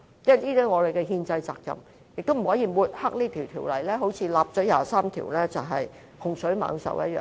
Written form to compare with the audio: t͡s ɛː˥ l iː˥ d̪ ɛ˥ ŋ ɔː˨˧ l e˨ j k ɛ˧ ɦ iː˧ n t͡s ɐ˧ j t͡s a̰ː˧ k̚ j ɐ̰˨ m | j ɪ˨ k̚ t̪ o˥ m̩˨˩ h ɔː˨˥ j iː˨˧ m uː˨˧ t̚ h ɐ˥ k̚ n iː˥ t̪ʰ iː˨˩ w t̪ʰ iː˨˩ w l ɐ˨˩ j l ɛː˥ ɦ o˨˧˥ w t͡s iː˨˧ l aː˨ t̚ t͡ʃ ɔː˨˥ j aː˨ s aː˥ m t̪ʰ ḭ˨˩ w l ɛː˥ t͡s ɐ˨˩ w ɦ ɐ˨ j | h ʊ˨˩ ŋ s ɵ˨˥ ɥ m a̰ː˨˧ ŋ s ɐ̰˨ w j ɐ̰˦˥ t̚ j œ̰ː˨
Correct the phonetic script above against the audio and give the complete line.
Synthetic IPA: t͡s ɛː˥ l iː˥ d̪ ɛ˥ ŋ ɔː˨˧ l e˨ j k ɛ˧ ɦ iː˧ n t͡s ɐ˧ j t͡s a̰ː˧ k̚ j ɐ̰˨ m | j ɪ˨ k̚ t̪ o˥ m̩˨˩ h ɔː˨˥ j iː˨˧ m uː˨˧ t̚ h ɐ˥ k̚ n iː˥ t̪ʰ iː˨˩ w t̪ʰ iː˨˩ w l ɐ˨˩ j l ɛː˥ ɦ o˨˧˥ w t͡sʰ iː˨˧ l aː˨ p̚ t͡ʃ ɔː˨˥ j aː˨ s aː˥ m t̪ʰ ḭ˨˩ w l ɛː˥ t͡s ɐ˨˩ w ɦ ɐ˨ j | h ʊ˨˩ ŋ s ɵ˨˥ ɥ m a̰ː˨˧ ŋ s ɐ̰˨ w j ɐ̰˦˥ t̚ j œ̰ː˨

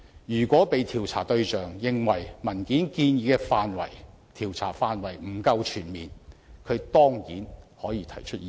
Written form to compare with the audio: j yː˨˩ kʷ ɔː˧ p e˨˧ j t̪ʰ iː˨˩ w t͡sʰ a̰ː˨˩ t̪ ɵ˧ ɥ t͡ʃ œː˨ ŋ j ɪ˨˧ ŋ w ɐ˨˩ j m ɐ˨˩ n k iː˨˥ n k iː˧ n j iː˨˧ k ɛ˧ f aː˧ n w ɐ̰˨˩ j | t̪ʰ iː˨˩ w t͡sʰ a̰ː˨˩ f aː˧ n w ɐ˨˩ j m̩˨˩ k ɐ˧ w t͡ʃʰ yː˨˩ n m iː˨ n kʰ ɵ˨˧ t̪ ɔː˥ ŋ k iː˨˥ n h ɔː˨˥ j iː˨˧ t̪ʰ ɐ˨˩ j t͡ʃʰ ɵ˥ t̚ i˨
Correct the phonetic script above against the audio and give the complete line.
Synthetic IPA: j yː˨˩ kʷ ɔː˨˥ p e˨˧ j t̪ʰ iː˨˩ w t͡sʰ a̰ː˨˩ t̪ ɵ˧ ɥ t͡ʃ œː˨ ŋ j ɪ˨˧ ŋ w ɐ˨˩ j m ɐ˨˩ n k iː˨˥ n k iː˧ n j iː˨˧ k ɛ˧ f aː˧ n w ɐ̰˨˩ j | t̪ʰ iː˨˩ w t͡sʰ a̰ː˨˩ f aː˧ n w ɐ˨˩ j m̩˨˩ k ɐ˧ w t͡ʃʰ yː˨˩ n m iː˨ n kʰ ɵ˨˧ t̪ ɔː˥ ŋ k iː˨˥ n h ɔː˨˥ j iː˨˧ t̪ʰ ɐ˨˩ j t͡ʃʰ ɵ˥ t̚ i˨

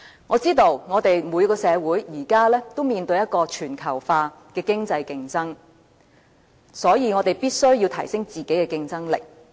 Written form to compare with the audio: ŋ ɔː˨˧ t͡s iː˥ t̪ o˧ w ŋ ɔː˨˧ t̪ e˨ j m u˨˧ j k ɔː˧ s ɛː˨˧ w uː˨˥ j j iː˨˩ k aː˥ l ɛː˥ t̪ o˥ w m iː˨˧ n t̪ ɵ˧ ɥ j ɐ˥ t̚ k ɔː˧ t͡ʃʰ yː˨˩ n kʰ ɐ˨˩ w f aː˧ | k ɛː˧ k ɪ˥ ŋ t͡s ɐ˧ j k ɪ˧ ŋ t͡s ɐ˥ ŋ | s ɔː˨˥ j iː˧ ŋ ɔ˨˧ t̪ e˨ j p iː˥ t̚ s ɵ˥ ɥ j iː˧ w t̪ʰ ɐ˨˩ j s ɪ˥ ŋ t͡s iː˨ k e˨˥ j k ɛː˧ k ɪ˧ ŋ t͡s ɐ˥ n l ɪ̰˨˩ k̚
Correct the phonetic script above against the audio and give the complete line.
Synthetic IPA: ŋ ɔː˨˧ t͡s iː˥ t̪ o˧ w ŋ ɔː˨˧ t̪ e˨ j m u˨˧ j k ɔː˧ s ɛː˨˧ w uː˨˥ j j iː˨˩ k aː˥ l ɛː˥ t̪ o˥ w m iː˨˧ n t̪ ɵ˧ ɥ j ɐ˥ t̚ k ɔː˧ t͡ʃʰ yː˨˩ n kʰ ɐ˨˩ w f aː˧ | k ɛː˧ k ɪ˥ ŋ t͡s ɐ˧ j k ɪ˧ ŋ t͡s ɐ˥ ŋ | s ɔː˨˥ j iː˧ ŋ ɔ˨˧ t̪ e˨ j p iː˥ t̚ s ɵ˥ ɥ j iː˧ w t̪ʰ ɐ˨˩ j s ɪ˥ ŋ t͡s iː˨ k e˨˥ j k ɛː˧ k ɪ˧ ŋ t͡s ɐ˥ ŋ l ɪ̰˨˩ k̚

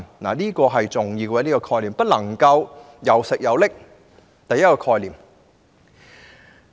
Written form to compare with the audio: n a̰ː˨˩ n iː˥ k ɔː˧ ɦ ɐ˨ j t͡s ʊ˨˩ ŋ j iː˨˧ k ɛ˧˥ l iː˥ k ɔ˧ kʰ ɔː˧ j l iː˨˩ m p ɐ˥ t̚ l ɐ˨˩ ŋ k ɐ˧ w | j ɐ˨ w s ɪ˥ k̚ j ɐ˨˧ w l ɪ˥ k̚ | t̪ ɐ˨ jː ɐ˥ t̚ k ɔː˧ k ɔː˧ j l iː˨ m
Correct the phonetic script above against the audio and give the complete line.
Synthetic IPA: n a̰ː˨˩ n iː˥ k ɔː˧ ɦ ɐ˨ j t͡s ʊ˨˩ ŋ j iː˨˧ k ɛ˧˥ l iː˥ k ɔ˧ kʰ ɔː˧ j l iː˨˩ m p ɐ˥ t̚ l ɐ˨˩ ŋ k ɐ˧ w | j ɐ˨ w s ɪ˨ k̚ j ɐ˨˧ w l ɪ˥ k̚ | t̪ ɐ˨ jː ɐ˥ t̚ k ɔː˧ kʰ ɔː˧ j l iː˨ m

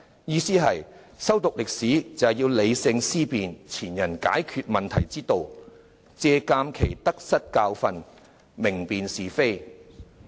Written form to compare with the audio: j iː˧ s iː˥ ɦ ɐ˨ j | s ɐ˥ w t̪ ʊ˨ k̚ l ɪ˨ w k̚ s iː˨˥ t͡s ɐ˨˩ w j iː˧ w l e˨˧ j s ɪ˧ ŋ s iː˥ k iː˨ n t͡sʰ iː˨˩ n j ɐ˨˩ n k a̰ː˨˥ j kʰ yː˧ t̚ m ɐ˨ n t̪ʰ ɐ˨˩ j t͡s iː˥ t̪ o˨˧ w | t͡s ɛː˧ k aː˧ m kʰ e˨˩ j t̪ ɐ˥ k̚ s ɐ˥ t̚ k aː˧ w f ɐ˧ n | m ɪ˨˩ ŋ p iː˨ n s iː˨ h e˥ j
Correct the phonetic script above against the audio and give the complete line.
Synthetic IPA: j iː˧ s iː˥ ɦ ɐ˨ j | s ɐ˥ w t̪ ʊ˨ k̚ l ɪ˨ k̚ s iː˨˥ t͡s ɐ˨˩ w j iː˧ w l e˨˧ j s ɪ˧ ŋ s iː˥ p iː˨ n t͡sʰ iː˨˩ n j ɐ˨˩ n k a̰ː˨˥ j kʰ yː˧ t̚ m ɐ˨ n t̪ʰ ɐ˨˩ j t͡s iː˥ t̪ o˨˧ w | t͡s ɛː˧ k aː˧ m kʰ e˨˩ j t̪ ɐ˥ k̚ s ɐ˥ t̚ k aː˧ w f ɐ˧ n | m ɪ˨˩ ŋ p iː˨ n s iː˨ f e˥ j

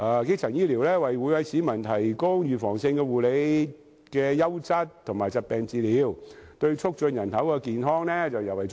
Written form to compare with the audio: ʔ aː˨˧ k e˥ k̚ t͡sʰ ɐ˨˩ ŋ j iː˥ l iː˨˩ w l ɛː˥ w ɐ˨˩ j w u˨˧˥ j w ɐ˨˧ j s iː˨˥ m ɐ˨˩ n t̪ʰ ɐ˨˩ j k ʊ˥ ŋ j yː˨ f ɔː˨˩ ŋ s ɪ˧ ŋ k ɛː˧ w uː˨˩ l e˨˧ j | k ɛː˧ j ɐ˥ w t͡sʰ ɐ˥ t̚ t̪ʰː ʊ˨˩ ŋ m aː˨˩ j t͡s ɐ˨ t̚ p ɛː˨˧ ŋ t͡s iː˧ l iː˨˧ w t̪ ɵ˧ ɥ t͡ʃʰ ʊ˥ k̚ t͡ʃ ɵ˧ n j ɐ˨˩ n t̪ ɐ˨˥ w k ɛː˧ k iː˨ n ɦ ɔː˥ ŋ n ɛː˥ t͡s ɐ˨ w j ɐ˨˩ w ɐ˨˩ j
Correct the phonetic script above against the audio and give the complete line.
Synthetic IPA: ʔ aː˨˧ k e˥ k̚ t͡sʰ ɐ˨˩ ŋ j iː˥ l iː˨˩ w l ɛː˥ w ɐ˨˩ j w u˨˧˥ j w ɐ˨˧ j s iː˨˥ m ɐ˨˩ n t̪ʰ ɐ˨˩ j k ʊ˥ ŋ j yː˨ f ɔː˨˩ ŋ s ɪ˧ ŋ k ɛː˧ w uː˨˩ l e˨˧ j | k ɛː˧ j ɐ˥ w t͡s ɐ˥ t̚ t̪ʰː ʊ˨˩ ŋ m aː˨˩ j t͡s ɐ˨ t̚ p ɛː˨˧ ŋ t͡s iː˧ l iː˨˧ w t̪ ɵ˧ ɥ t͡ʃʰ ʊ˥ k̚ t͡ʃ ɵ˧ n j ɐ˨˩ n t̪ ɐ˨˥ w k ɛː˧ k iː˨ n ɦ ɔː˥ ŋ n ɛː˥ t͡s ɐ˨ w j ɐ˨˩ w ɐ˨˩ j

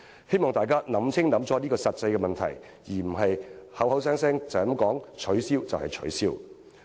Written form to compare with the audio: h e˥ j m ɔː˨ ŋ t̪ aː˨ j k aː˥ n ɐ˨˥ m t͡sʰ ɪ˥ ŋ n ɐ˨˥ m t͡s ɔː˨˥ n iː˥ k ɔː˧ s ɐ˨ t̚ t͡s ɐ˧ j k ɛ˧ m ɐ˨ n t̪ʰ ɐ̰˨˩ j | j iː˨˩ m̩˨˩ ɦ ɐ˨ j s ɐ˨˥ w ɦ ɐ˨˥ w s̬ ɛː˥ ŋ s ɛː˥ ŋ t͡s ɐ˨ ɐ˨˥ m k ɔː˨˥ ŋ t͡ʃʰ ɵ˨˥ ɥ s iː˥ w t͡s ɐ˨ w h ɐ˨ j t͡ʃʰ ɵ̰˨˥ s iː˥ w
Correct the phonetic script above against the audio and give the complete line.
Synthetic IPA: h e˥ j m ɔː˨ ŋ t̪ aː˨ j k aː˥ n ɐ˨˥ m t͡sʰ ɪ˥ ŋ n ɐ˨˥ m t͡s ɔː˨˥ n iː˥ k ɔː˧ s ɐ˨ t̚ t͡s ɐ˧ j k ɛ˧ m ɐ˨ n t̪ʰ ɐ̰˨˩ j | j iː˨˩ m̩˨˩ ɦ ɐ˨ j h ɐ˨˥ w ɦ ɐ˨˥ w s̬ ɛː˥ ŋ s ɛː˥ ŋ t͡s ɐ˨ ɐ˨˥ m k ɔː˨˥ ŋ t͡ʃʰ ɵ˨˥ ɥ s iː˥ w t͡s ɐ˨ w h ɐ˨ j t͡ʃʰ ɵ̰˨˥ s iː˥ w

